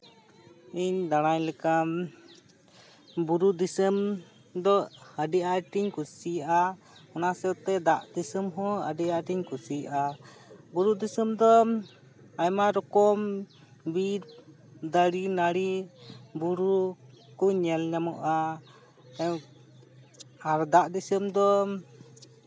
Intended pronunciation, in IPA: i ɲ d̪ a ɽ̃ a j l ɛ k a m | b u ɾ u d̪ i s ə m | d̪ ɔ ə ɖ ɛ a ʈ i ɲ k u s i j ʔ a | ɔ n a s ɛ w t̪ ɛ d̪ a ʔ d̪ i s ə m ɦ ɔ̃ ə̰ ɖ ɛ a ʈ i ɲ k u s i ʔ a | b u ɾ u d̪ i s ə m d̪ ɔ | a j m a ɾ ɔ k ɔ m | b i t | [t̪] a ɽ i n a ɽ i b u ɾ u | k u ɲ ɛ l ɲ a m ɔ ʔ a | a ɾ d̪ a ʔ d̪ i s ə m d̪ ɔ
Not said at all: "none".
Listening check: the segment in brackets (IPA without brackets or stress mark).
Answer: d̪